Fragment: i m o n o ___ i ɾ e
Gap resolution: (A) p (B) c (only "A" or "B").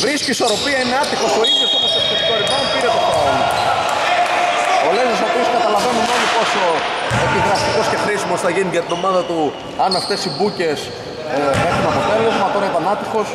A